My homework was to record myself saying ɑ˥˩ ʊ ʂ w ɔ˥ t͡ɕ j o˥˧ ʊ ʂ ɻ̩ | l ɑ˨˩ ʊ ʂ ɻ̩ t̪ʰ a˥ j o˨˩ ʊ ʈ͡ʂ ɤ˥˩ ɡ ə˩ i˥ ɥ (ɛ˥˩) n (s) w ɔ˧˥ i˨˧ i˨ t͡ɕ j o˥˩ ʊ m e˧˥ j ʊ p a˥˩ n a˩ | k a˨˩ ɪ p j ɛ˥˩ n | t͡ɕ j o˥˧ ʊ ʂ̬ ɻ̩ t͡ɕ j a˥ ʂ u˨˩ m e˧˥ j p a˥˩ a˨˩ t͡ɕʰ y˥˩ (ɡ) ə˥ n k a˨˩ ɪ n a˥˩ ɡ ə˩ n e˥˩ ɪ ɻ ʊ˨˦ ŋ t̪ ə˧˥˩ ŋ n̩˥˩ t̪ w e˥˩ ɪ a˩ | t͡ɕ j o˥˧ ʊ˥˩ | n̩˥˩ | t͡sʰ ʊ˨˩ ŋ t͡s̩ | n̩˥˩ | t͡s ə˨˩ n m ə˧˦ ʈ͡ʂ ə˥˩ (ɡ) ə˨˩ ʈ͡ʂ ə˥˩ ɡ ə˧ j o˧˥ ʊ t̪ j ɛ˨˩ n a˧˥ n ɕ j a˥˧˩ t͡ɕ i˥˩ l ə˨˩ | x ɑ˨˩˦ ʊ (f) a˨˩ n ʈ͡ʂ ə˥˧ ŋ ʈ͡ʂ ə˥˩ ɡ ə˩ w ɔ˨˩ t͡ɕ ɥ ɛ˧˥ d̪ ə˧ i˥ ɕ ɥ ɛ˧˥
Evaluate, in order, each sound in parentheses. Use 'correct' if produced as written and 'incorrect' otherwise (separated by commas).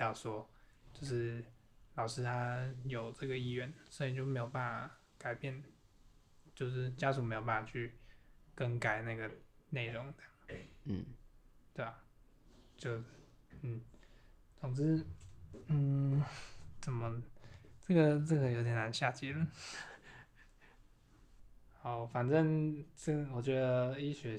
correct, correct, incorrect, correct, correct